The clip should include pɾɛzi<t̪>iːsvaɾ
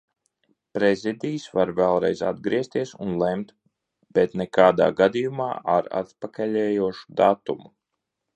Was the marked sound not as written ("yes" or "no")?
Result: yes